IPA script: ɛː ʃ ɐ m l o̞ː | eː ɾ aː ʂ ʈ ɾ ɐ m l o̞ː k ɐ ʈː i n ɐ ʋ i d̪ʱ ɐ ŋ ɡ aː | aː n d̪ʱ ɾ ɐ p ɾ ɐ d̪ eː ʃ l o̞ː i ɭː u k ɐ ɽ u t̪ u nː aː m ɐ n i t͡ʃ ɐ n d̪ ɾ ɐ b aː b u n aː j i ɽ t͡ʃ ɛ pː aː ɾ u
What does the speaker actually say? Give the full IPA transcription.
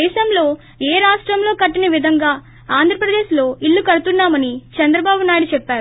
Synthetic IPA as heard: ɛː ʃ ɐ m l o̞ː | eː ɾ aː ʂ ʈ ɾ ɐ m l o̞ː k ɐ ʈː i n ɐ ʋ i d̪ʱ ɐ ŋ ɡ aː | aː n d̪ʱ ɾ ɐ p ɾ ɐ d̪ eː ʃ l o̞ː i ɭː u k ɐ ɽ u t̪ u nː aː m ɐ n i t͡ʃ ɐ n d̪ ɾ ɐ b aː b u n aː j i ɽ t͡ʃ ɛ pː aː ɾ u